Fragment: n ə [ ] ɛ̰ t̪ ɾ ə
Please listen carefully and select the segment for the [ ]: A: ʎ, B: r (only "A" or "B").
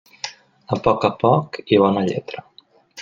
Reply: A